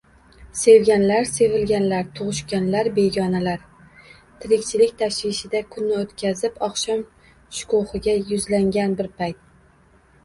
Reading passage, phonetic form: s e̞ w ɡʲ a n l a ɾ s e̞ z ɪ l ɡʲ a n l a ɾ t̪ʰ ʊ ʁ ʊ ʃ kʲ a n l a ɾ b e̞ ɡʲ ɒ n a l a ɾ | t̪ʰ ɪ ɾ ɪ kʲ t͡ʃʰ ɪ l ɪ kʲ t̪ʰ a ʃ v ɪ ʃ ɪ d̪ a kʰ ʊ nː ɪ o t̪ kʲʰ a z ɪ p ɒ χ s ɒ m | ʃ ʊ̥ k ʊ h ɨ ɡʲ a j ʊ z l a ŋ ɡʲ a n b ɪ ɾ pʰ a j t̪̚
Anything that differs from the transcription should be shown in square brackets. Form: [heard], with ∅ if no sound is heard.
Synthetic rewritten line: s e̞ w ɡʲ a n l a ɾ s e̞ [v] ɪ l ɡʲ a n l a ɾ t̪ʰ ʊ ʁ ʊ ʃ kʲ a n l a ɾ b e̞ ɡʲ ɒ n a l a ɾ | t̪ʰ ɪ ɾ ɪ kʲ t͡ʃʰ ɪ l ɪ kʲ t̪ʰ a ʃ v ɪ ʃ ɪ d̪ a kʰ ʊ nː ɪ o t̪ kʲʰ a z ɪ p ɒ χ [ʃ] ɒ m | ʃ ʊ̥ k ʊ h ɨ ɡʲ a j ʊ z l a ŋ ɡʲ a n b ɪ ɾ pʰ a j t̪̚